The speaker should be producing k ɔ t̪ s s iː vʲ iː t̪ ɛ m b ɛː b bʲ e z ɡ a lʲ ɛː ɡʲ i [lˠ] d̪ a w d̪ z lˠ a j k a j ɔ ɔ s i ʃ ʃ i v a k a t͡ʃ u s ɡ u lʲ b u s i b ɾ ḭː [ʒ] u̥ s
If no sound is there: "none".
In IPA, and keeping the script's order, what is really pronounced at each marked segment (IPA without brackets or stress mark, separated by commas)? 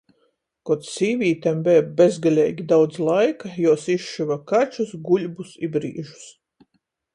none, ʒ